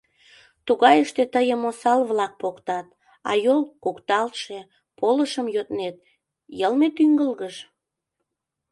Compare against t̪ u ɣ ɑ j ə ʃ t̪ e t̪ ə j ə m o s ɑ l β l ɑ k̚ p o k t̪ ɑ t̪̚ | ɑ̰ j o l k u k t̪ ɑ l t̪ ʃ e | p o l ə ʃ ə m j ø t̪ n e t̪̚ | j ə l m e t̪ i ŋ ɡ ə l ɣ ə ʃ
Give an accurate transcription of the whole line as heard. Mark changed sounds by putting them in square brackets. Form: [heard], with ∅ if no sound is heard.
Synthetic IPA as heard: t̪ u ɣ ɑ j ə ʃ t̪ e t̪ ə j ə m o s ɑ l β l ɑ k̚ p o k t̪ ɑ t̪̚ | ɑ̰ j o l k u k t̪ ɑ l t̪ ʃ e | p o l ə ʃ ə m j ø t̪ n e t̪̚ | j ə l m e t̪ [y] ŋ ɡ ə l ɣ ə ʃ